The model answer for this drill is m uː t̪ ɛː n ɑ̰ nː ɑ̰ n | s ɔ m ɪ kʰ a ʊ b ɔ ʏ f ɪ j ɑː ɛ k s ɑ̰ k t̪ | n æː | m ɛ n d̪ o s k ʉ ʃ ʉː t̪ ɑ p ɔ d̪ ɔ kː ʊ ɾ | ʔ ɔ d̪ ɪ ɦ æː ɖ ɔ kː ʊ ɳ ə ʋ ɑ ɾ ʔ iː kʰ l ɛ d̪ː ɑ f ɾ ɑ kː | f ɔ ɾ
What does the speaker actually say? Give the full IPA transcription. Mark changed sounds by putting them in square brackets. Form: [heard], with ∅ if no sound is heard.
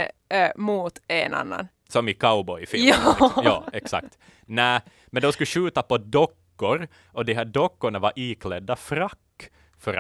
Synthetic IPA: m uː t̪ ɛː n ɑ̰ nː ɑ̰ n | s ɔ m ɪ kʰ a ʊ b ɔ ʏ f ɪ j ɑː ɛ k s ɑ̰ k t̪ | n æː | m ɛ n d̪ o s k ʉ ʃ ʉː t̪ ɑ p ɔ d̪ ɔ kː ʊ ɾ | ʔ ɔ d̪ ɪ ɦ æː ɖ ɔ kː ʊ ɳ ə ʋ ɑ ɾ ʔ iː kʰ l ɛ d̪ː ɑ f ɾ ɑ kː | f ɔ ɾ